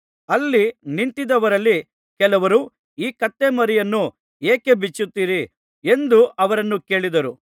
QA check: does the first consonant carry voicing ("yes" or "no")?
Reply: yes